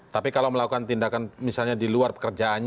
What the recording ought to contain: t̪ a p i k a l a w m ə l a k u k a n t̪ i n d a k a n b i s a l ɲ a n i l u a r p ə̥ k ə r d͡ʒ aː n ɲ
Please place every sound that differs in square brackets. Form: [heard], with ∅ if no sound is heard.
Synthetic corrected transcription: t̪ a p i k a l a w m ə l a k u k a n t̪ i n d a k a n [m] i s a l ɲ a [d] i l u a r p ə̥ k ə r d͡ʒ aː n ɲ